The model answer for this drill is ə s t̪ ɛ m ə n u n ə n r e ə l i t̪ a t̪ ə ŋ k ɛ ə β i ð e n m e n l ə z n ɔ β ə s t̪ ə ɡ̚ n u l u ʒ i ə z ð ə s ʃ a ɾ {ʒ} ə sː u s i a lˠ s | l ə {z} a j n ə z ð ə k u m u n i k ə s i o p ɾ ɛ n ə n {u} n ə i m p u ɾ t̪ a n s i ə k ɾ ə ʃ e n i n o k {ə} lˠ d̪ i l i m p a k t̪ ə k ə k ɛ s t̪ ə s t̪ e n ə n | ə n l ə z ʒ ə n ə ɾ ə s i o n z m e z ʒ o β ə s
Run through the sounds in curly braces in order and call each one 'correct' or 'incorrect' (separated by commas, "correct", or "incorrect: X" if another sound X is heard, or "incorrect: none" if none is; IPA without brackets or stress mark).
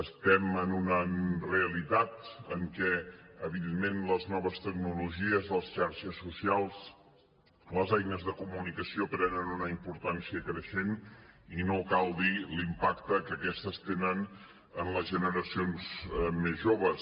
incorrect: ʃ, correct, correct, incorrect: a